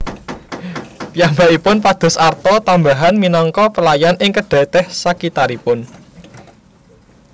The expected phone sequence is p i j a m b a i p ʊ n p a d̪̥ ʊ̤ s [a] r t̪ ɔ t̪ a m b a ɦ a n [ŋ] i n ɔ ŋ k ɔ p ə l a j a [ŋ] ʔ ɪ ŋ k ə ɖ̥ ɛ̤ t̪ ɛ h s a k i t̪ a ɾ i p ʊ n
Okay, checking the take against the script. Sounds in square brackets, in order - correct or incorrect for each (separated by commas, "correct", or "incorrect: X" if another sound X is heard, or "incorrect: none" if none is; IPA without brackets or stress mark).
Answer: correct, incorrect: m, incorrect: n